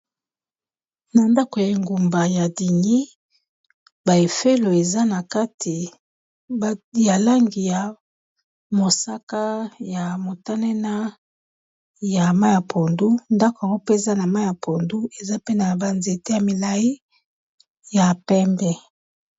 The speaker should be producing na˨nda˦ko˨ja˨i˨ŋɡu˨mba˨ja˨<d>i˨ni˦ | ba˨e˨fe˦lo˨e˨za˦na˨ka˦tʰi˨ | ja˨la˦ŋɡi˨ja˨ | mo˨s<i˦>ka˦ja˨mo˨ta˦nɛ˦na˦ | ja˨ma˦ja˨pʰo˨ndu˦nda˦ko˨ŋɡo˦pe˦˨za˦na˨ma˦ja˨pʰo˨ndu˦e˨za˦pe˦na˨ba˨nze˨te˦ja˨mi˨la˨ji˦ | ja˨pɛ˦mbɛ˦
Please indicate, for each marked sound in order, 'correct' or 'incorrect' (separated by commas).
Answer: correct, incorrect